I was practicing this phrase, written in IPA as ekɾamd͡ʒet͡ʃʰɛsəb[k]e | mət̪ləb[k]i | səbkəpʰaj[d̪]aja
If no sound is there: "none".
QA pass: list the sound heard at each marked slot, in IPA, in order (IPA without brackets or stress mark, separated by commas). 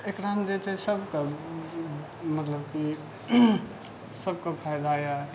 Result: k, k, d̪